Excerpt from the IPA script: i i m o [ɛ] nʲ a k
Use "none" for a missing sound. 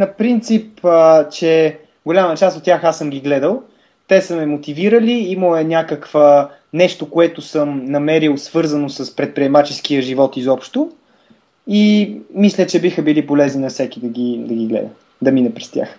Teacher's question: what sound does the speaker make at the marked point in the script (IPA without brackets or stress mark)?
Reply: ɛ